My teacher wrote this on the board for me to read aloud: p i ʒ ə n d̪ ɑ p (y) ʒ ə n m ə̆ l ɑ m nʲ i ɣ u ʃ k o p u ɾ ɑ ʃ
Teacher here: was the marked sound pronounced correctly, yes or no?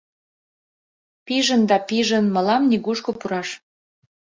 no